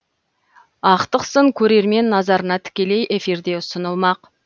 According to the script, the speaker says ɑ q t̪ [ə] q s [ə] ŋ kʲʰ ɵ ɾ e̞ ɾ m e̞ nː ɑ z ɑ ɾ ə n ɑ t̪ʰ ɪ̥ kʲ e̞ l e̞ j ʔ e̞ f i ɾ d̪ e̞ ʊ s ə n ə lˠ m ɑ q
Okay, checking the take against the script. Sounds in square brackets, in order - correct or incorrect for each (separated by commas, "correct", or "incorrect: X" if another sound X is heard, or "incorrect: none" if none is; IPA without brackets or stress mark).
correct, correct